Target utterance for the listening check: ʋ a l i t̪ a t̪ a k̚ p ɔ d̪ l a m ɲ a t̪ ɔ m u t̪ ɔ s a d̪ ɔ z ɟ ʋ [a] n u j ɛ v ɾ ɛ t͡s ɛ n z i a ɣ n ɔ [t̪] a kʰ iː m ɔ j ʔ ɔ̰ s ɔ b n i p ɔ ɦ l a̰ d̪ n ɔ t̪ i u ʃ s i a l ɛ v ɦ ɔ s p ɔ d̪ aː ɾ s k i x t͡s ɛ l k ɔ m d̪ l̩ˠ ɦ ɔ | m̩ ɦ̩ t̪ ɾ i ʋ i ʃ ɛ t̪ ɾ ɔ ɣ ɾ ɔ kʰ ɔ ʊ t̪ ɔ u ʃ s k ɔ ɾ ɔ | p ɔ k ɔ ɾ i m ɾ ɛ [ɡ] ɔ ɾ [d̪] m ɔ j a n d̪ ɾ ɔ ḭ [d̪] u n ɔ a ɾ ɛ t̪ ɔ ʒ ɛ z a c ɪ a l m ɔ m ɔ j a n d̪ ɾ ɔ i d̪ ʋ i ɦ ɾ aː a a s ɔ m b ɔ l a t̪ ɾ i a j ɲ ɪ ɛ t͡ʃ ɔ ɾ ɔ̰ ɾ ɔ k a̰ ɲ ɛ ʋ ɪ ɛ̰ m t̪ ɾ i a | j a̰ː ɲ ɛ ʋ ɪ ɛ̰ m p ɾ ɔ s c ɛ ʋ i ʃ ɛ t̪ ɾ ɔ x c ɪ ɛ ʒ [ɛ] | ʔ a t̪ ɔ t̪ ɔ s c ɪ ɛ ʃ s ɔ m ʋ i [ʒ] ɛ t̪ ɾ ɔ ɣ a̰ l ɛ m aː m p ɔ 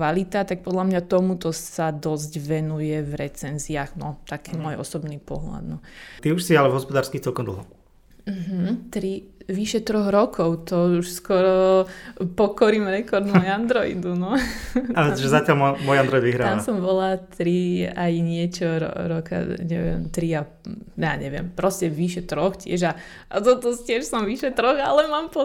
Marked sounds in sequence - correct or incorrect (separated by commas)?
incorrect, correct, incorrect, correct, correct, incorrect, incorrect